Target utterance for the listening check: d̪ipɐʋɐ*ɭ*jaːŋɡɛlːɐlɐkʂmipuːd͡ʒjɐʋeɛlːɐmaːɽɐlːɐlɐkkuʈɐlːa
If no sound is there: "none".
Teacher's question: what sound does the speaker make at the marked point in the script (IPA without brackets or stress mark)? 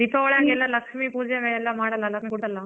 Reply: ɭ